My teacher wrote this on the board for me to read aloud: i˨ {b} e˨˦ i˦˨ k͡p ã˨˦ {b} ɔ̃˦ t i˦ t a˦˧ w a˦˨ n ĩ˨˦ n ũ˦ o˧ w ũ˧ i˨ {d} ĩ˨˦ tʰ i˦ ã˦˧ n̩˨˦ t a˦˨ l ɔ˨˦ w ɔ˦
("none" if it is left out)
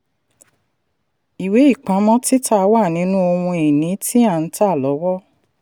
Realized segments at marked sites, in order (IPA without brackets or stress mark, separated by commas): w, m, n